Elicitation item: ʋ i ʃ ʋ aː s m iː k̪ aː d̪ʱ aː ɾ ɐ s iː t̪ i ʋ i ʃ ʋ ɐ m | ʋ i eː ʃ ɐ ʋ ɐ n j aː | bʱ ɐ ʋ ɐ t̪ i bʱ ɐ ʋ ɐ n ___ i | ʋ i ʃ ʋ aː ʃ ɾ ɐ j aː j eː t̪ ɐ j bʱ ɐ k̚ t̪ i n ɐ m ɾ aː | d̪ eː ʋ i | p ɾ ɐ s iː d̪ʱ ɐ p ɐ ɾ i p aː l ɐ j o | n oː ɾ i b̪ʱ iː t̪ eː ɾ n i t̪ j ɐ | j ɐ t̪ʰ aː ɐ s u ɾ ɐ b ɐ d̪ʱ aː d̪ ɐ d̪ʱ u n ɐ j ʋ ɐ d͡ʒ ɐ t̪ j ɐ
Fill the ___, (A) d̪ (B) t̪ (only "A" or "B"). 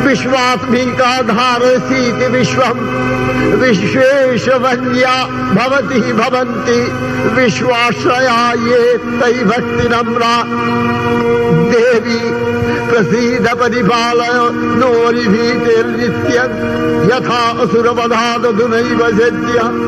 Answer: B